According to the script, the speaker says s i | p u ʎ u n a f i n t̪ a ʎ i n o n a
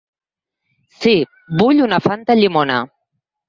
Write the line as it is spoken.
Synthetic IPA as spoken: s i | b u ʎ u n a f a n t̪ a ʎ i m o n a